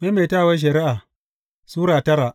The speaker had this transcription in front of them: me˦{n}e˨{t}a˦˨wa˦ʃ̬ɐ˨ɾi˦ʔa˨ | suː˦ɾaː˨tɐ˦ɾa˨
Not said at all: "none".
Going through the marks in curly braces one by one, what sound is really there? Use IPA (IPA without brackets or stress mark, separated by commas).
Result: m, t